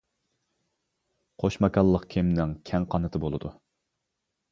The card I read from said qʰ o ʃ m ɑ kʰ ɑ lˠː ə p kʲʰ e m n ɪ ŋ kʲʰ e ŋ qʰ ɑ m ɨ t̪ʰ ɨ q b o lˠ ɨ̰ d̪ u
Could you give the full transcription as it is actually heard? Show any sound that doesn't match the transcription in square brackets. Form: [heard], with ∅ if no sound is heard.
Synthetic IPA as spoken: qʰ o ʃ m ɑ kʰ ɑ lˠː ə [q] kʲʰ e m n ɪ ŋ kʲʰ [ɛ] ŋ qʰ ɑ [n] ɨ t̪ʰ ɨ [∅] b o lˠ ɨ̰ d̪ u